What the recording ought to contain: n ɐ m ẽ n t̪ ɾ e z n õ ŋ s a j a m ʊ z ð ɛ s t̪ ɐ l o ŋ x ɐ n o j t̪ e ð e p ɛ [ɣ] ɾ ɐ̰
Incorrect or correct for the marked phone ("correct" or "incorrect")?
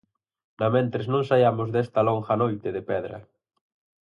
incorrect